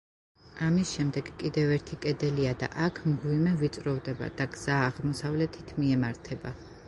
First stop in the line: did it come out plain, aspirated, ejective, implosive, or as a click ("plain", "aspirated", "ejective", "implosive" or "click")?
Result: plain